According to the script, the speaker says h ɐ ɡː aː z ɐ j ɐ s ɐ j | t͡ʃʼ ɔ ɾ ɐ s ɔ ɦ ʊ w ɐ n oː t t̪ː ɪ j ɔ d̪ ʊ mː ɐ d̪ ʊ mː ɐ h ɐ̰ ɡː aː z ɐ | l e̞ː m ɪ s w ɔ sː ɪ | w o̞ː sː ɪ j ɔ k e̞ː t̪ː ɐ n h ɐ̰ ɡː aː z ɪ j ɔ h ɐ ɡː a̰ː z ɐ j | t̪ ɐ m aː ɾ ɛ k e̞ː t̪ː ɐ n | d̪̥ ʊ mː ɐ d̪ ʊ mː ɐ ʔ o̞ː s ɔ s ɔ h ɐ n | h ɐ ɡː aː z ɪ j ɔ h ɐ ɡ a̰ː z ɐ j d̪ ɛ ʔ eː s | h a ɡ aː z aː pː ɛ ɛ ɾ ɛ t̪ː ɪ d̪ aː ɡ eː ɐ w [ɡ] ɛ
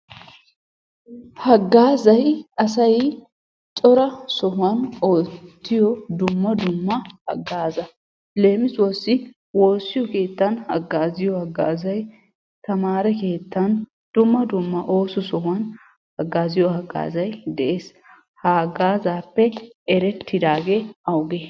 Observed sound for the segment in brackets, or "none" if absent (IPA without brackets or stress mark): ɡ